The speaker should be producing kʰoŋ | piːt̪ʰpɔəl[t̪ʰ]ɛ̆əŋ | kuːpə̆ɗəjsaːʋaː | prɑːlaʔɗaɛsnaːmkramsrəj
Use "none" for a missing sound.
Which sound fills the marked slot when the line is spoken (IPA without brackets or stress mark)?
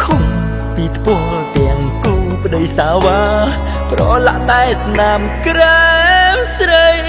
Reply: t̪